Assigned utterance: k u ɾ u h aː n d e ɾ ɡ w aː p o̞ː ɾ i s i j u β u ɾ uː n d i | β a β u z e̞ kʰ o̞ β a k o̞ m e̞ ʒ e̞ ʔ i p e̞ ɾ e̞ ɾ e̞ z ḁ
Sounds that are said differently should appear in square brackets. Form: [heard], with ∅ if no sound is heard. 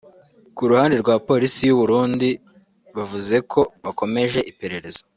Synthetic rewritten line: k u ɾ u h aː n d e ɾ ɡ w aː p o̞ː ɾ i s i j u β u ɾ uː n d i | β a [v] u z e̞ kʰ o̞ β a k o̞ m e̞ ʒ e̞ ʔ i p e̞ ɾ e̞ ɾ e̞ z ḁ